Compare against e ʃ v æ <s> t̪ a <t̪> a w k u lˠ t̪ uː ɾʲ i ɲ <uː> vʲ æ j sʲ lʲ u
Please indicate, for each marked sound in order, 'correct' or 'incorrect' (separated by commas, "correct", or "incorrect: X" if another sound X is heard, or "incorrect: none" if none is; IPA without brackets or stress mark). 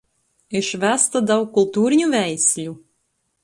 correct, incorrect: d̪, incorrect: u